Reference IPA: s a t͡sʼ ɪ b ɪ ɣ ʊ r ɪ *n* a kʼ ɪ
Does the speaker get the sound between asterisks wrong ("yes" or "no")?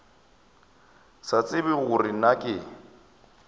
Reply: no